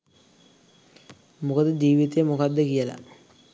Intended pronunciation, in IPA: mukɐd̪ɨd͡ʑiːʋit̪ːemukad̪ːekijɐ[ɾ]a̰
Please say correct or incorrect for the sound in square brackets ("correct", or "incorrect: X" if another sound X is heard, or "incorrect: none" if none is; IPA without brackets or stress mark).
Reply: incorrect: l